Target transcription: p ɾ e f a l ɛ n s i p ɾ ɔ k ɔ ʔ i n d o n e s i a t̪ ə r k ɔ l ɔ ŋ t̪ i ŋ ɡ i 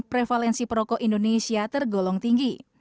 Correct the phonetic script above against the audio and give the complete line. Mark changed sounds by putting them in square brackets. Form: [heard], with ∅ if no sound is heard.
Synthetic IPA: p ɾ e f a l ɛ n s i p ɾ ɔ k ɔ ʔ i n d o n e s i a t̪ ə r [ɡ] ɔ l ɔ ŋ t̪ i ŋ ɡ i